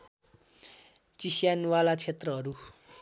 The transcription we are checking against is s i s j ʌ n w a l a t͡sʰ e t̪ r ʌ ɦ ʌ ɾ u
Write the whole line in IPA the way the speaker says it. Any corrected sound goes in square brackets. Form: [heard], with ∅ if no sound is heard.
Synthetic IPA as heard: [t͡s] i s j [a] n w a l a t͡sʰ e t̪ r ʌ ɦ ʌ ɾ u